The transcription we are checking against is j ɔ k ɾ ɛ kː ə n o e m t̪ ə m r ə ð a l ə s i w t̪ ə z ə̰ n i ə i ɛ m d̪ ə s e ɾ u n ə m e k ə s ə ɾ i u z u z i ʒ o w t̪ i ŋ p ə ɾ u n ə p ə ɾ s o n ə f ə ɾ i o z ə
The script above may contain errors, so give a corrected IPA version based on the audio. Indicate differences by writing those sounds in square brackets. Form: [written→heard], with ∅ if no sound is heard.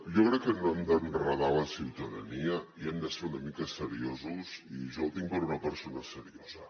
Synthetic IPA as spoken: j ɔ k ɾ ɛ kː ə n o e m [t̪→d̪] ə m r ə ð a l ə s i w t̪ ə [z→ð] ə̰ n i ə i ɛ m d̪ ə s e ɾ u n ə m [e→i] k ə s ə ɾ i [u→o] z u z i ʒ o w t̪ i ŋ p ə ɾ u n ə p ə ɾ s o n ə [f→s] ə ɾ i o z ə

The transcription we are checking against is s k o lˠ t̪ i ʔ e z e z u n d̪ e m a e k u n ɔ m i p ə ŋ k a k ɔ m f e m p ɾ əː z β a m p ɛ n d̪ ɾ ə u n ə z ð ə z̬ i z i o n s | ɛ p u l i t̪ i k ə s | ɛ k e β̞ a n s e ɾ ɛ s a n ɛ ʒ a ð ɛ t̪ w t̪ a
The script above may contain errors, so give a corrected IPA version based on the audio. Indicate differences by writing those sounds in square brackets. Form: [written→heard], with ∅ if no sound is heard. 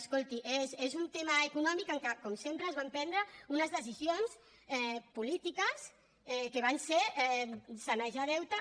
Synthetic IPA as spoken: s k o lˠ t̪ i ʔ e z e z u n [d̪→t̪] e m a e k u n ɔ m i [p→k] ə ŋ k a k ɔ m [f→s] e m p ɾ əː z β a m p ɛ n d̪ ɾ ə u n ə z ð ə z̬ i z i o n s | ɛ p u l i t̪ i k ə s | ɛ k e β̞ a n s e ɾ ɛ s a n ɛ ʒ a ð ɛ [t̪→∅] w t̪ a

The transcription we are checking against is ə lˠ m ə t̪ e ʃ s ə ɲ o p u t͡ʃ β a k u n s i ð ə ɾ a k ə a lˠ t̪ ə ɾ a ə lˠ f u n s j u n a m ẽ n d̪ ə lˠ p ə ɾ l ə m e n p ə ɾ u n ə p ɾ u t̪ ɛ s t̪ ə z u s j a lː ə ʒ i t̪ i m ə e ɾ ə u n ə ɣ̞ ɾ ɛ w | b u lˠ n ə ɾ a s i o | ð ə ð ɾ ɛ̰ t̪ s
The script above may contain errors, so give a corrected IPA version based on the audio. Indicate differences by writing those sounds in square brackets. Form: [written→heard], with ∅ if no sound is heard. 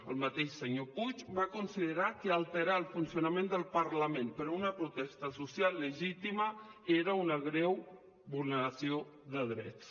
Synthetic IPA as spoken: ə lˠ m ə t̪ e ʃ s ə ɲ o p u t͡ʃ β a k u n s i ð ə ɾ a k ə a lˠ t̪ ə ɾ a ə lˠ f u n s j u n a m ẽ n d̪ ə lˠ p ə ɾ l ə m e n p ə ɾ u n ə p ɾ u t̪ ɛ s t̪ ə [z→s] u s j a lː ə ʒ i t̪ i m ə e ɾ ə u n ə ɣ̞ ɾ ɛ w | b u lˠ n ə ɾ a s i o | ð ə ð ɾ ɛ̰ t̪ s

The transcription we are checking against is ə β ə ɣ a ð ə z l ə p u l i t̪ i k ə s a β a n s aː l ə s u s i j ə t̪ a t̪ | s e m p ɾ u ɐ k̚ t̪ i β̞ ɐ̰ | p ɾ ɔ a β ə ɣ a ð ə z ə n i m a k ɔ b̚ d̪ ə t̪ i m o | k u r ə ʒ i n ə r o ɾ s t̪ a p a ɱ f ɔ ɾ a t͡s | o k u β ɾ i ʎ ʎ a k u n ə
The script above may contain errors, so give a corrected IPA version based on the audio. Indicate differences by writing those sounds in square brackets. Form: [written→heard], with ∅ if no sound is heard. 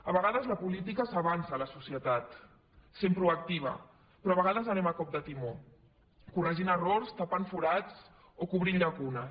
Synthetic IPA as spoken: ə β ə ɣ a ð ə z l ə p u l i t̪ i k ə s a β a n s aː l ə s u s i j ə t̪ a t̪ | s e m p ɾ u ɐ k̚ t̪ i β̞ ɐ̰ | p ɾ ɔ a β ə ɣ a ð ə z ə n [i→ɛ] m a k ɔ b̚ d̪ ə t̪ i m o | k u r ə ʒ i n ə r o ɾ s t̪ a p a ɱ f [ɔ→u] ɾ a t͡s | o k u β ɾ i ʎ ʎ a k u n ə

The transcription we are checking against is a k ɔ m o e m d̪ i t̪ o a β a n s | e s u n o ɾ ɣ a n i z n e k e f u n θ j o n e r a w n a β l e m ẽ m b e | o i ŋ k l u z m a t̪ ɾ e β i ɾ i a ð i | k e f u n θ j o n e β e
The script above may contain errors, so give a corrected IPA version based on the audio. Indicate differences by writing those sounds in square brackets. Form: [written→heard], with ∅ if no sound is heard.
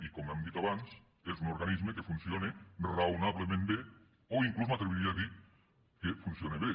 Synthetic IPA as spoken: [a→i] k [ɔ→o] m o e m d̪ i t̪ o a β a n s | e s u n o ɾ ɣ a n i z [n→m] e k e f u n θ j o n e r a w n a β l e m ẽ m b e | o i ŋ k l u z m a t̪ ɾ e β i ɾ i a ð i | k e f u n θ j o n e β e

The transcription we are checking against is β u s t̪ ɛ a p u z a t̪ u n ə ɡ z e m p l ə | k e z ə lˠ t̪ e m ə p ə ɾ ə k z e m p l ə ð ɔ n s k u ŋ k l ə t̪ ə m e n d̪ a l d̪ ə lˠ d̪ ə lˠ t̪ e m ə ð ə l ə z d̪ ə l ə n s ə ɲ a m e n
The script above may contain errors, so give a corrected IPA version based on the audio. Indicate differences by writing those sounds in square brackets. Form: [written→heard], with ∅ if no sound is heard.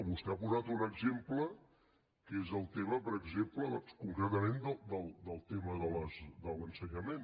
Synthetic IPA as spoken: β u s t̪ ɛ a p u z a t̪ u n ə ɡ z e m p l ə | k e z ə lˠ t̪ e m ə p ə ɾ ə [k→ɡ] z e m p l ə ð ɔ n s k u ŋ k [l→ɾ] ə t̪ ə m e n d̪ [a→ə] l d̪ ə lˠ d̪ ə lˠ t̪ e m ə ð ə l ə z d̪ ə l ə n s ə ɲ [a→ə] m e n

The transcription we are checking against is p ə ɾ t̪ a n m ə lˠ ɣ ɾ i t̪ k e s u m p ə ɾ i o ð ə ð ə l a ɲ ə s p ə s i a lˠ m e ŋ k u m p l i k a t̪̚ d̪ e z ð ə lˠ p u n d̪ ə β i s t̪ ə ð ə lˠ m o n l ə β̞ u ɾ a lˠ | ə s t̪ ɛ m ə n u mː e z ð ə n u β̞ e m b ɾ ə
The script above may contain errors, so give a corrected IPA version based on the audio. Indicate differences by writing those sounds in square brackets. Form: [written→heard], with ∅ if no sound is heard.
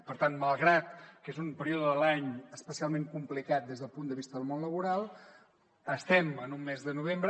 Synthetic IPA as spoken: p ə ɾ t̪ a n m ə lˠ ɣ ɾ [i→a] t̪ k e [s→z] u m p ə ɾ i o ð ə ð ə l a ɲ ə s p ə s i a lˠ m e ŋ k u m p l i k a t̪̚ d̪ e z ð ə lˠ p u n d̪ ə β i s t̪ ə ð ə lˠ m o n l ə β̞ u ɾ a lˠ | ə s t̪ ɛ m ə n u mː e z ð ə n u β̞ e m b ɾ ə

